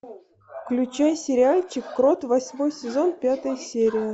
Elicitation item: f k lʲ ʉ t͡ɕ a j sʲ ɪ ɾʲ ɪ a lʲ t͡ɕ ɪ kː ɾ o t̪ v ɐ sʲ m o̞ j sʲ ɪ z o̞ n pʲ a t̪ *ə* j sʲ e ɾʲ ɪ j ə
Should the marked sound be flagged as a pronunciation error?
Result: no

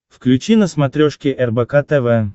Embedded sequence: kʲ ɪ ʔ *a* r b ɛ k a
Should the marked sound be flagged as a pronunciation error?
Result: yes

